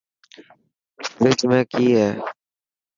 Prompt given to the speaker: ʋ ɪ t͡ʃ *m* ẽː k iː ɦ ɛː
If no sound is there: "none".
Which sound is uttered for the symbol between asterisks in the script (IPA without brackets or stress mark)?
m